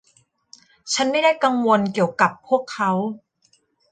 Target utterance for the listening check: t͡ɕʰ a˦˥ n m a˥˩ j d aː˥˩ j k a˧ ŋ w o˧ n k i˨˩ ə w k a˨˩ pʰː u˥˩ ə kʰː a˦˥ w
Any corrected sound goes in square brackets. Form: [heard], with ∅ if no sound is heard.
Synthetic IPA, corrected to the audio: t͡ɕʰ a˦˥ n m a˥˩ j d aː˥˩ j k a˧ ŋ w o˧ n k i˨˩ ə w k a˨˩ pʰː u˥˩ ə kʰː a˦˥ w